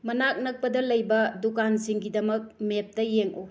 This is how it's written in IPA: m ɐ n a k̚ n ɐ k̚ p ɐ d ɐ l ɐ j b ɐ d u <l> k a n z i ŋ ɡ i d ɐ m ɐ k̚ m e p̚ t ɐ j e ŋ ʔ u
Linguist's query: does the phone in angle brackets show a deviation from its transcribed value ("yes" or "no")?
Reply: yes